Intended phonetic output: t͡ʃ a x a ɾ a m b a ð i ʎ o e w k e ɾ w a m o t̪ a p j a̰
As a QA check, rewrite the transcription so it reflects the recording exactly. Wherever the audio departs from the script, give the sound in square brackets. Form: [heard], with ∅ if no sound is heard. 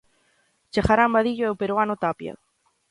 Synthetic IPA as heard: t͡ʃ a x a ɾ a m b a ð i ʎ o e w [p] e ɾ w a [n] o t̪ a p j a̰